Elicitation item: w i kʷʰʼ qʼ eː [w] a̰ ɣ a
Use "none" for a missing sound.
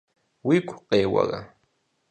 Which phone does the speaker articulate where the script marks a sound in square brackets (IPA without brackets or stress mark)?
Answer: w